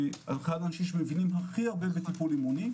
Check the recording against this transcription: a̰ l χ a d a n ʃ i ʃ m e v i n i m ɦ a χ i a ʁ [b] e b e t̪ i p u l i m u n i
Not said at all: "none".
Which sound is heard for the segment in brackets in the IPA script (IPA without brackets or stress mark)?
b